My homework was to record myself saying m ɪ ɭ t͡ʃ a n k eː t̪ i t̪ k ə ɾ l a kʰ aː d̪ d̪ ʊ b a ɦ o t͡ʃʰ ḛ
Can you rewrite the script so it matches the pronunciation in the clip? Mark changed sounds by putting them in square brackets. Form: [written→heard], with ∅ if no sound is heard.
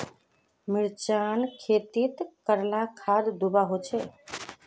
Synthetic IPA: m ɪ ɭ t͡ʃ a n [k→kʰ] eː t̪ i t̪ k ə ɾ l a kʰ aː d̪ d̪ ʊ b a ɦ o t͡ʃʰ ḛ